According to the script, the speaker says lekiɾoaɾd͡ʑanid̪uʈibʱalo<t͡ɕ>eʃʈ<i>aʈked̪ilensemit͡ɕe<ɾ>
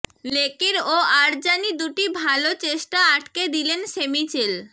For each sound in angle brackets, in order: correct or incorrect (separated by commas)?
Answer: correct, incorrect, incorrect